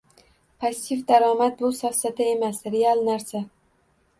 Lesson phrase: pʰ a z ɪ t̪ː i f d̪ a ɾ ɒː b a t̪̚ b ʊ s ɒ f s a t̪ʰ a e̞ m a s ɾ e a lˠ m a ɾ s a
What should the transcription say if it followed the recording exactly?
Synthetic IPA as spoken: pʰ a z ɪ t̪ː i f d̪ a ɾ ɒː m a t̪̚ b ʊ s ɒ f s a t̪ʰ a e̞ m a s ɾ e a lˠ n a ɾ s a